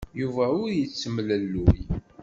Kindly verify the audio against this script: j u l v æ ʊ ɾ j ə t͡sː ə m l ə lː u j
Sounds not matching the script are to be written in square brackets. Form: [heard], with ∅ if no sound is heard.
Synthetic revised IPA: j u [∅] v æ ʊ ɾ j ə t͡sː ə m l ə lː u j